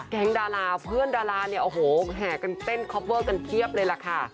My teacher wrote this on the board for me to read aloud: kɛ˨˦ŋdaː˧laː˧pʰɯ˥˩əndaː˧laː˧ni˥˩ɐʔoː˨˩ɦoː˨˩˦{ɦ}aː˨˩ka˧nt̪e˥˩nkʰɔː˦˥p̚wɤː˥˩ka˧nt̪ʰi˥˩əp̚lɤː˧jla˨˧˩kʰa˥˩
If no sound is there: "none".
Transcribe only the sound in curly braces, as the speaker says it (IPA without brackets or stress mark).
ɦ